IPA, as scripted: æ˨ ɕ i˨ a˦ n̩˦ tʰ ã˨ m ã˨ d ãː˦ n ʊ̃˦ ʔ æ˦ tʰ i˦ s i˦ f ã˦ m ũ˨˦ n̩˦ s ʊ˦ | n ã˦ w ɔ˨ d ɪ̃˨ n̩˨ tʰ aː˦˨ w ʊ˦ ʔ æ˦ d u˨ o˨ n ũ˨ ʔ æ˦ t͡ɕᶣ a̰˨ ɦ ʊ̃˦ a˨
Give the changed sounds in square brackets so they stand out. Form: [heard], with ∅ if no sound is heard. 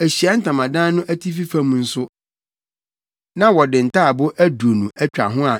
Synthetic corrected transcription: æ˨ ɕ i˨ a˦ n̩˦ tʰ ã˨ m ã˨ d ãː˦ n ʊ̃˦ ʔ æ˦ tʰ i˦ [f] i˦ f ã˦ m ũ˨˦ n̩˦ s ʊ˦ | n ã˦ w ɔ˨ d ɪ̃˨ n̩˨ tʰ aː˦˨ [b] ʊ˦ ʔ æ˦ d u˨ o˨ n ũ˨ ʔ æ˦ t͡ɕᶣ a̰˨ ɦ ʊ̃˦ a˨